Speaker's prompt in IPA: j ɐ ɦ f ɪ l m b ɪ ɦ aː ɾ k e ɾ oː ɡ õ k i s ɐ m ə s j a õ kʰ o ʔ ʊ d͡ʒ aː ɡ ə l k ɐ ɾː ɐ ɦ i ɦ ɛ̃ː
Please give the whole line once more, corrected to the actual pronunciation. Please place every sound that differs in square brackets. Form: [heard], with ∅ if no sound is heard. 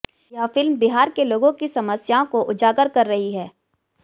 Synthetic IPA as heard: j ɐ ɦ f ɪ l m b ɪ ɦ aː ɾ k e [l] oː ɡ õ k i s ɐ m ə s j a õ [k] o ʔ ʊ d͡ʒ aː ɡ ə [ɾ] k ɐ ɾː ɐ ɦ i ɦ [ɛː]